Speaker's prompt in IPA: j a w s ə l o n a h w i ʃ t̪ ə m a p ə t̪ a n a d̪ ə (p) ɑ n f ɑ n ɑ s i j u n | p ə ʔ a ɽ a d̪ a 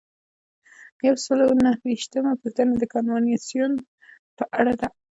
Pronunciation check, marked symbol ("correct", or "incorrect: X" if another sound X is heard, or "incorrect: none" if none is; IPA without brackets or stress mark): incorrect: k